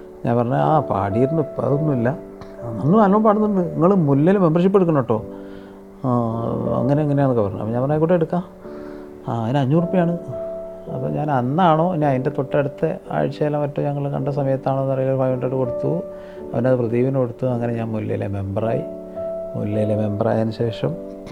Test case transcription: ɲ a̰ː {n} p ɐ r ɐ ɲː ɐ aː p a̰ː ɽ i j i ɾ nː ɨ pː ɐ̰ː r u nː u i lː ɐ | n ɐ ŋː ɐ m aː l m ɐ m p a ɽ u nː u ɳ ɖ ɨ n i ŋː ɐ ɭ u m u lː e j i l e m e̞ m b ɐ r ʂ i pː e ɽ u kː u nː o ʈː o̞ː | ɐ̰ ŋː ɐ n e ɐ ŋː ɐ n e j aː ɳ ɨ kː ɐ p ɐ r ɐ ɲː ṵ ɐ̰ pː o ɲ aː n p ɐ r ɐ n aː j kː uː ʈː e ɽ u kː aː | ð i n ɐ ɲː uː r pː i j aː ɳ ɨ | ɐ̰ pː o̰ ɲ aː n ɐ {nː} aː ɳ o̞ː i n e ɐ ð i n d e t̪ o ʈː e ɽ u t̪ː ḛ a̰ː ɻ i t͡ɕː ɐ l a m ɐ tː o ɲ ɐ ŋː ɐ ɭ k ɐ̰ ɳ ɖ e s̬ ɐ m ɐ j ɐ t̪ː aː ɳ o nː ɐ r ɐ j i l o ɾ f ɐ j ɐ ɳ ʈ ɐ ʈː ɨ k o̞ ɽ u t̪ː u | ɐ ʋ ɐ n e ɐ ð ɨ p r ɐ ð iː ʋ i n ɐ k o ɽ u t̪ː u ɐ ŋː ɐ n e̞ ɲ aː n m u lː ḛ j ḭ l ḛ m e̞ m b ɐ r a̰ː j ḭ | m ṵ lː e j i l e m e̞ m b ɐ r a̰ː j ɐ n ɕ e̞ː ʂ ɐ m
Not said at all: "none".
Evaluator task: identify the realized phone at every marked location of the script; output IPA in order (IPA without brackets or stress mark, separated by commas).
n, nː